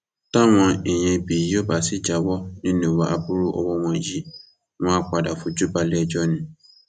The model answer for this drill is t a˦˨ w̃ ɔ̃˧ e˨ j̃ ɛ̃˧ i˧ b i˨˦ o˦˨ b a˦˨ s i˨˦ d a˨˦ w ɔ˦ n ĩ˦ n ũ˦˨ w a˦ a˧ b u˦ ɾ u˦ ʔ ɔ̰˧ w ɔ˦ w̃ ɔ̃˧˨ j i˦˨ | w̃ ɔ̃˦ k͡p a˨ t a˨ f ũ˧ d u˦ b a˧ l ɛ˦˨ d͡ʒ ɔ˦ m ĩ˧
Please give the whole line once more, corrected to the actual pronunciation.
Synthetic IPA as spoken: t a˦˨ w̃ ɔ̃˧ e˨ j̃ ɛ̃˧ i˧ b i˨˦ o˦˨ b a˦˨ s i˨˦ d͡ʒ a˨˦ w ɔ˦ n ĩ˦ n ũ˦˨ w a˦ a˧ b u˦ ɾ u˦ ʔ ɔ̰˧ w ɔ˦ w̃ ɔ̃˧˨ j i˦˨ | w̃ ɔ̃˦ k͡p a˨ d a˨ f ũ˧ d͡ʒ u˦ b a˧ l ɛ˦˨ d͡ʒ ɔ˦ n ĩ˧